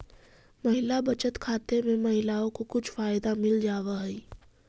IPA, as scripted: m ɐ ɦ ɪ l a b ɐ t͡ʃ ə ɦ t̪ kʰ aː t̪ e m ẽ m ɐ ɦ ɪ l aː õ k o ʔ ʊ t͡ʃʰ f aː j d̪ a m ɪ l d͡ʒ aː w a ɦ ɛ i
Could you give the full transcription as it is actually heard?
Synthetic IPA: m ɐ ɦ ɪ l a b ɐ t͡ʃ ə t̪ kʰ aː t̪ e m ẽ m ɐ ɦ ɪ l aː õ k o k ʊ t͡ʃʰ f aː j d̪ a m ɪ l d͡ʒ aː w a ɦ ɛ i